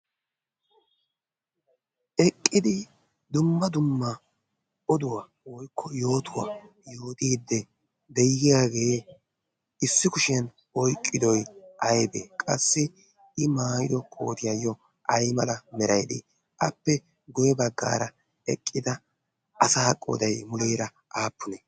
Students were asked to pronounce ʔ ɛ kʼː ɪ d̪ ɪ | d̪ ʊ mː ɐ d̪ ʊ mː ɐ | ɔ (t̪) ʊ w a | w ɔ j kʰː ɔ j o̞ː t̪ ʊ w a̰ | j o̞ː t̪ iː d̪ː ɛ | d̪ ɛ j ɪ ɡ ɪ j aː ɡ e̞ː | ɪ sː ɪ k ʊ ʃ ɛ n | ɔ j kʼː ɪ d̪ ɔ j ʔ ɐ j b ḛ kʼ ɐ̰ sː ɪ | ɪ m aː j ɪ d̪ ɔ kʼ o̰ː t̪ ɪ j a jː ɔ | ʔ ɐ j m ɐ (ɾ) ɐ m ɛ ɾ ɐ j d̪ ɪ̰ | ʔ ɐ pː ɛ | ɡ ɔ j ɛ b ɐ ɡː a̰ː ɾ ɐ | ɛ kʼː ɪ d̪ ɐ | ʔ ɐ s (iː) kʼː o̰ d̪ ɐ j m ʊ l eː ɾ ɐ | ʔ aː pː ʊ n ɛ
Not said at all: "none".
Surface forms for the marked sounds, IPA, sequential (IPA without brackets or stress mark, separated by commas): d̪, l, aː